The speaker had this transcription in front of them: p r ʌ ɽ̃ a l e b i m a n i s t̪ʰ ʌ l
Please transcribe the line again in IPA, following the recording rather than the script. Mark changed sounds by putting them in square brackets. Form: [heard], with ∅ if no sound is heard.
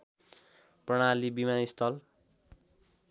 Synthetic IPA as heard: p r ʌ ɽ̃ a l [i] b i m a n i s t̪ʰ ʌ l